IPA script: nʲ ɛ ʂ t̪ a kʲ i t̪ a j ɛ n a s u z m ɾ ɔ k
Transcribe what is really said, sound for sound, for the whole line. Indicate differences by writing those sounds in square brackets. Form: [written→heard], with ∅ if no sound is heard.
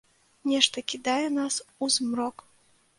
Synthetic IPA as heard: nʲ ɛ ʂ t̪ [a→ɐ] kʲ i [t̪→d̪] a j ɛ n a s u z m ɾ ɔ k